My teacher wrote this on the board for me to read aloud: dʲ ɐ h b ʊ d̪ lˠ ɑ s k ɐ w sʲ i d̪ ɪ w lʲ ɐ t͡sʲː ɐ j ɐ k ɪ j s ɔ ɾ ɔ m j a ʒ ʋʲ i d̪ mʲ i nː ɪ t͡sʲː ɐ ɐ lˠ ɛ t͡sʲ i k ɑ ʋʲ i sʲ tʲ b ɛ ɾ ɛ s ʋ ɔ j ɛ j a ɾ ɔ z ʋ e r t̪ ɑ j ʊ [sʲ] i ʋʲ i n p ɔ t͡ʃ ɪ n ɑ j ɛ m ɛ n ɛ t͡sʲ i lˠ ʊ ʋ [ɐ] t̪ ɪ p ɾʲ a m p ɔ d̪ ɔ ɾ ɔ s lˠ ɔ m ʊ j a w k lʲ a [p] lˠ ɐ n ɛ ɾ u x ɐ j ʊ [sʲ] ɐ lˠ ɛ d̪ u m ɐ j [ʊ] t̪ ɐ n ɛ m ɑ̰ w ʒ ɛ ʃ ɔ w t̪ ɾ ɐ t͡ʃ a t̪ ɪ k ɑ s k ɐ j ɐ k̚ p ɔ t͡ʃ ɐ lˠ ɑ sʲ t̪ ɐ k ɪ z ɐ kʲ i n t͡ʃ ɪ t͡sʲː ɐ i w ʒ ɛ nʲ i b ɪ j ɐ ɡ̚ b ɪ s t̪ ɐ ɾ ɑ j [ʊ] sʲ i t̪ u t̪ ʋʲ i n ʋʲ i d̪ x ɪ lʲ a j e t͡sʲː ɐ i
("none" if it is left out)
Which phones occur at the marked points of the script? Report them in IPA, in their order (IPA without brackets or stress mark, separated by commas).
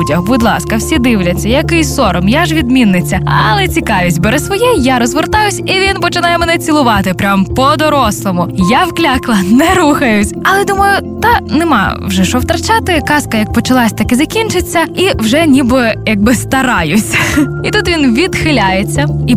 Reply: sʲ, ɑ, k, sʲ, ʊ, ʊ